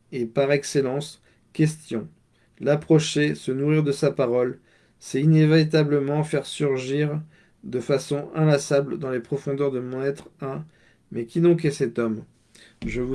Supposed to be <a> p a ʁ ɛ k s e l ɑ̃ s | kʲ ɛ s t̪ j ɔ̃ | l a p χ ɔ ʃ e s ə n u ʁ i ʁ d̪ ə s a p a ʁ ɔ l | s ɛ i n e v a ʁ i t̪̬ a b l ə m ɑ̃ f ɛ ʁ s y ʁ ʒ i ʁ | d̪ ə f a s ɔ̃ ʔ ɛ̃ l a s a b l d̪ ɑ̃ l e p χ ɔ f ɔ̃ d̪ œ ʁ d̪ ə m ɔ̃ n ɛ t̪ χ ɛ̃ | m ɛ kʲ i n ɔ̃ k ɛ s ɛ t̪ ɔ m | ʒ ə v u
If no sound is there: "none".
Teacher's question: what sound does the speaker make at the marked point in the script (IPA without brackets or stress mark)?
e